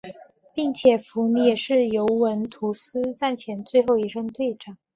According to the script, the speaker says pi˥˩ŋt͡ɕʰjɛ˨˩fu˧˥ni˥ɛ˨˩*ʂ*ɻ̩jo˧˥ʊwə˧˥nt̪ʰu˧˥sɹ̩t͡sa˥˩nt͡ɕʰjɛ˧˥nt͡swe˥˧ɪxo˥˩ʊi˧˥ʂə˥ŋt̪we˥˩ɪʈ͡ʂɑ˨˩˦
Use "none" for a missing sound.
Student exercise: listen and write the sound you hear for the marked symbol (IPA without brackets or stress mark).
ʂ